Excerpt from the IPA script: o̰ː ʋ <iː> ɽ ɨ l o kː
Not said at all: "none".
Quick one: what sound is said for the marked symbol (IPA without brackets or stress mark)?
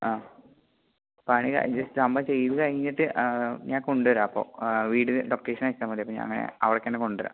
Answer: iː